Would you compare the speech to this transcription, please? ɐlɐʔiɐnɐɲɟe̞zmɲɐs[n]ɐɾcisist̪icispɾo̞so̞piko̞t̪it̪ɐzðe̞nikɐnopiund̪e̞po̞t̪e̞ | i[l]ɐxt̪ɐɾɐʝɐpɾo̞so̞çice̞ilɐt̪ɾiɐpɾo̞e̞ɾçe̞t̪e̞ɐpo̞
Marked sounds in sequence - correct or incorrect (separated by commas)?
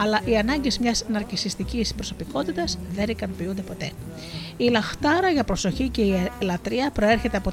correct, correct